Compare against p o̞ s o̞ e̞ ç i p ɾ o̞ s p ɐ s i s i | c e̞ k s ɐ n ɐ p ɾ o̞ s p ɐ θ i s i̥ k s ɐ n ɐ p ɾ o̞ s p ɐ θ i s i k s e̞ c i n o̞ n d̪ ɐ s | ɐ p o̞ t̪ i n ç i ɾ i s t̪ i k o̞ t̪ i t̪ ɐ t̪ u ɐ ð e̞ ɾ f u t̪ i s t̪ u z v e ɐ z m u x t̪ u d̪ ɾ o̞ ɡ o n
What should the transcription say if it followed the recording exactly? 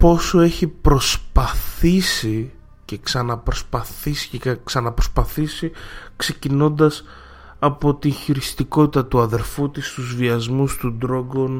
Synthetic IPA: p o̞ s o̞ e̞ ç i p ɾ o̞ s p ɐ θ i s i | c e̞ k s ɐ n ɐ p ɾ o̞ s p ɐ θ i s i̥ k s ɐ n ɐ p ɾ o̞ s p ɐ θ i s i k s e̞ c i n o̞ n d̪ ɐ s | ɐ p o̞ t̪ i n ç i ɾ i s t̪ i k o̞ t̪ i t̪ ɐ t̪ u ɐ ð e̞ ɾ f u t̪ i s t̪ u z v i ɐ z m u s t̪ u d̪ ɾ o̞ ɡ o n